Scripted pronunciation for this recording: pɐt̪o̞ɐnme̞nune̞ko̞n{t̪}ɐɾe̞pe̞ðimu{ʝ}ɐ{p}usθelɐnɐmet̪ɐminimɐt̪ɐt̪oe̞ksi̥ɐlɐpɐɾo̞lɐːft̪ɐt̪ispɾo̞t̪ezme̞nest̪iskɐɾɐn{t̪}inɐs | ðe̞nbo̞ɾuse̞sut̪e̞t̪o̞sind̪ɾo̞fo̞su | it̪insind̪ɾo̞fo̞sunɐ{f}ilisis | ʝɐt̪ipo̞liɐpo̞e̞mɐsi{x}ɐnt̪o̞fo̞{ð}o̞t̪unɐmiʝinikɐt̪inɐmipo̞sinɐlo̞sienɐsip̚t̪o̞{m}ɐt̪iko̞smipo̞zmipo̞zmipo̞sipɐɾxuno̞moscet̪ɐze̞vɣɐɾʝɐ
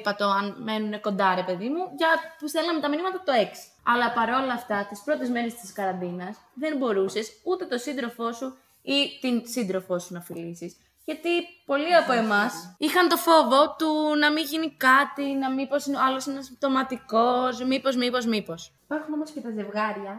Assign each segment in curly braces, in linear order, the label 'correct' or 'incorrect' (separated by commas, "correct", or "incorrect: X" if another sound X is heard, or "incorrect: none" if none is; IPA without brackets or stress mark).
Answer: incorrect: d̪, correct, correct, incorrect: d̪, correct, correct, incorrect: v, correct